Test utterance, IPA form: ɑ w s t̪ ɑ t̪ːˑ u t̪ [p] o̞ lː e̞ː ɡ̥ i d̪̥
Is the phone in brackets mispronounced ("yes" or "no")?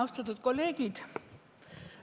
yes